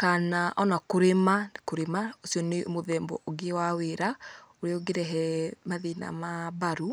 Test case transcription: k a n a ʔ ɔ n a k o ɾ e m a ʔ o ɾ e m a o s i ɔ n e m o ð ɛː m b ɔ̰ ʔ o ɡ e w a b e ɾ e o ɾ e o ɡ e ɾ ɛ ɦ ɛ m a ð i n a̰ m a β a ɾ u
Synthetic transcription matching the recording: k a n a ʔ ɔ n a k o ɾ e m a k o ɾ e m a o s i ɔ n e m o ð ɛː m b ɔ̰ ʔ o ɡ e w a w e ɾ a o ɾ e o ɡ e ɾ ɛ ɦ ɛ m a ð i n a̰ m a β a ɾ u